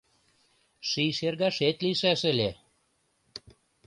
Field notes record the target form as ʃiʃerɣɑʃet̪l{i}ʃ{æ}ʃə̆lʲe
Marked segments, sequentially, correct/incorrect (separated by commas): correct, correct